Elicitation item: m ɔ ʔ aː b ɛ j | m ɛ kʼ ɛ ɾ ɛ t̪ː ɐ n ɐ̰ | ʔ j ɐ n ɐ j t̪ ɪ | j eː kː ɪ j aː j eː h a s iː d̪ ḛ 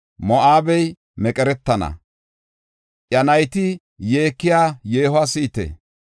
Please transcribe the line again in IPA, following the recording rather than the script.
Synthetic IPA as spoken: m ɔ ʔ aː b ɛ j | m ɛ kʼ ɛ ɾ ɛ t̪ː ɐ n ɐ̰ | ʔ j ɐ n ɐ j t̪ ɪ | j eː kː ɪ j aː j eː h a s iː t̪ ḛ